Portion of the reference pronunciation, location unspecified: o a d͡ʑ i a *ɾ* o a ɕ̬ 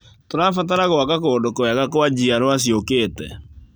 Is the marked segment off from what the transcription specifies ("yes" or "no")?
no